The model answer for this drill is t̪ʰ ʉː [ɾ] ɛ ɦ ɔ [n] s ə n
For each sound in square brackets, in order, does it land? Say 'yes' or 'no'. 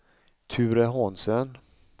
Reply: yes, yes

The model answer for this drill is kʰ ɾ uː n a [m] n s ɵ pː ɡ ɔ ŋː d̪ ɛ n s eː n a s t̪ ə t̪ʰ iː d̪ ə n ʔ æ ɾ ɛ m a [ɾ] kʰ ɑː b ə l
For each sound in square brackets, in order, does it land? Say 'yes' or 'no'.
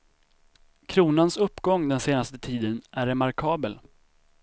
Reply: no, yes

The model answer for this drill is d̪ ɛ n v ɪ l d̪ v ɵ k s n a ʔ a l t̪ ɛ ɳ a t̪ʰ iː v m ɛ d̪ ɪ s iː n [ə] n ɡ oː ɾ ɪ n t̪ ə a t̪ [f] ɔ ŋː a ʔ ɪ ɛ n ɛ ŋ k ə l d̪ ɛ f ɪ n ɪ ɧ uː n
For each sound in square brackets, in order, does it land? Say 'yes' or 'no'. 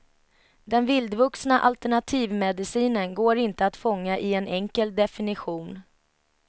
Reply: yes, yes

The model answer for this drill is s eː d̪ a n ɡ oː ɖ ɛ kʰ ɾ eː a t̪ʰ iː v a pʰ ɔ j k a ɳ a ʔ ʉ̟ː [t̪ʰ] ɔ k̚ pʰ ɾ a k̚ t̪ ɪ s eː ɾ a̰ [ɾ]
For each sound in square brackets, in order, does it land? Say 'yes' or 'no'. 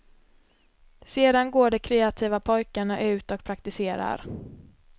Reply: no, yes

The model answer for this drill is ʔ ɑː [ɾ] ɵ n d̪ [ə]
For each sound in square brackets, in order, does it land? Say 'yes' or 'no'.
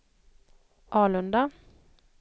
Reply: no, no

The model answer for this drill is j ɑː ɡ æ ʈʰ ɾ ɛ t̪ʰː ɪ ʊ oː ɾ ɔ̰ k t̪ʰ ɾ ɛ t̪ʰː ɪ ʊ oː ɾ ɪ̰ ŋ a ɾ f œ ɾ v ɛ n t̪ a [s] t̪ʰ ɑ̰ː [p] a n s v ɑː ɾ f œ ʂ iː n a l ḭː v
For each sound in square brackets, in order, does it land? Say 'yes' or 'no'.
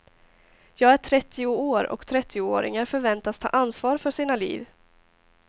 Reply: yes, no

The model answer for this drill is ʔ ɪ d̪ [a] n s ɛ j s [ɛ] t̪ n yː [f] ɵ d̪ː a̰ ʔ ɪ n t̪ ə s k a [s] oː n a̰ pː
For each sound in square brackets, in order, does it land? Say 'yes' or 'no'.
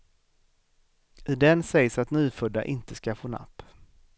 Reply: no, no, yes, no

